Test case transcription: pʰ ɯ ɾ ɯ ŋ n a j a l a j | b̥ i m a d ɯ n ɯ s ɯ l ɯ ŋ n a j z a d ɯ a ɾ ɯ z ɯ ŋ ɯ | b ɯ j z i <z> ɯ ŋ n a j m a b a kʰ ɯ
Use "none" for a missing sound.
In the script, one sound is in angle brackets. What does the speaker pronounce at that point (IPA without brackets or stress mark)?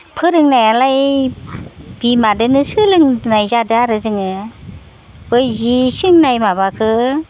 s